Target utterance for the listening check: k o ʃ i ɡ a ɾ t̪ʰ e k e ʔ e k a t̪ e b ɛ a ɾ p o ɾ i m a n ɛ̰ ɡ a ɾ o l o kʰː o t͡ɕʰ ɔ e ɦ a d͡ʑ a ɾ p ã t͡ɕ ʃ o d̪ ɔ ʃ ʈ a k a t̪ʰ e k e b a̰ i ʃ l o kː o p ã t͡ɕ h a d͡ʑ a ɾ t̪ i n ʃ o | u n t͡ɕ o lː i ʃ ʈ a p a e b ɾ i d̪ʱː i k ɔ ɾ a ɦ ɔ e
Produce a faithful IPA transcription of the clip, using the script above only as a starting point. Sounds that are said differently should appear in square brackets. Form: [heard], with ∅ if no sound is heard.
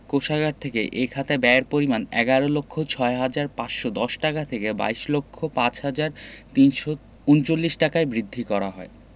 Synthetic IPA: k o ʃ [a] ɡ a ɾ t̪ʰ e k e ʔ e [kʰ] a t̪ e b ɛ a ɾ p o ɾ i m a n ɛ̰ ɡ a ɾ o l o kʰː o t͡ɕʰ ɔ e ɦ a d͡ʑ a ɾ p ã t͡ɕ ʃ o d̪ ɔ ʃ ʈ a k a t̪ʰ e k e b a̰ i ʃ l o [kʰː] o p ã t͡ɕ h a d͡ʑ a ɾ t̪ i n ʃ o | u n t͡ɕ o lː i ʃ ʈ a [k] a e b ɾ i d̪ʱː i k ɔ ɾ a ɦ ɔ e